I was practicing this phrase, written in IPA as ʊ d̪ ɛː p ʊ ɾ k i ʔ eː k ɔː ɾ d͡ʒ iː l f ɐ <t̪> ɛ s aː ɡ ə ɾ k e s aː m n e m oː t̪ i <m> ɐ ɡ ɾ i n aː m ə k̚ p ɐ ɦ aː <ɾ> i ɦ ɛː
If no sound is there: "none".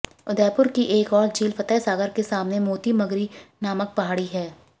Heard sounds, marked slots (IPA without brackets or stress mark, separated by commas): t̪, m, ɽ